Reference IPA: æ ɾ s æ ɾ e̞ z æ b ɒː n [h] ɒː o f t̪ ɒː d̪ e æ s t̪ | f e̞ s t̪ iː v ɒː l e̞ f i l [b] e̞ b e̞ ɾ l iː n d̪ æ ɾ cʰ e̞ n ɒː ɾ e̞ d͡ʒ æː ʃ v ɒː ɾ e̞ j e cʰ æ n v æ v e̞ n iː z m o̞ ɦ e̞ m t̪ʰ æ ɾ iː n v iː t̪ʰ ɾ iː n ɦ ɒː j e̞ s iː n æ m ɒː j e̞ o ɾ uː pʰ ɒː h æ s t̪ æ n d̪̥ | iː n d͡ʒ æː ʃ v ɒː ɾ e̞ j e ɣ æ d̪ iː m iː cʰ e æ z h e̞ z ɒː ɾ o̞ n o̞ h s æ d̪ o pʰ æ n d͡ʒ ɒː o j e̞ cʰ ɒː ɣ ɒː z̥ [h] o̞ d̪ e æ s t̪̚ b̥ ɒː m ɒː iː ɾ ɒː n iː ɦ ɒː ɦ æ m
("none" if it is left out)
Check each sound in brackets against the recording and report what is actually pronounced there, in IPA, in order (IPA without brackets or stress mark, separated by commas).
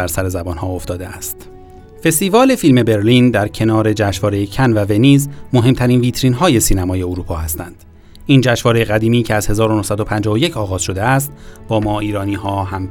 h, m, ʃ